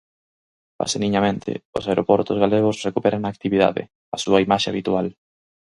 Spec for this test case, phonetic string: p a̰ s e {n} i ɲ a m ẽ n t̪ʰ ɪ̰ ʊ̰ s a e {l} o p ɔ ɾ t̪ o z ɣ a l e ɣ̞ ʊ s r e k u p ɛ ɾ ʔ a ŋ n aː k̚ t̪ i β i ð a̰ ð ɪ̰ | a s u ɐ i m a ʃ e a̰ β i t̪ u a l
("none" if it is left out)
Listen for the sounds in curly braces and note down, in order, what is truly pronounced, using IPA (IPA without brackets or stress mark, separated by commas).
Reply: n, ɾ